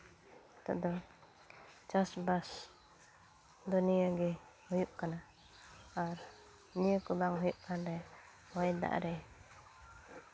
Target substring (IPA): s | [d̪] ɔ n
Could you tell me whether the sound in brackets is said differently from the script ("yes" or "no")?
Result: no